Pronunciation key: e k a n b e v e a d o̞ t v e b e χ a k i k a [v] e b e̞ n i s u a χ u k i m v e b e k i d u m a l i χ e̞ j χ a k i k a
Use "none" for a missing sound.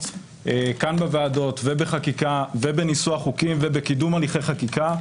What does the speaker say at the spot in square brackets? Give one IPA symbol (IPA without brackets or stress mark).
v